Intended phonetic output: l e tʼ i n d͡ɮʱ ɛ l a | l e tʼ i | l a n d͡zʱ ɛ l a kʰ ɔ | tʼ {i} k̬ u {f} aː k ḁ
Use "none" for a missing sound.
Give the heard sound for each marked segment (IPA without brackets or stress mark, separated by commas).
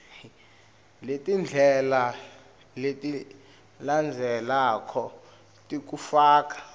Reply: i, f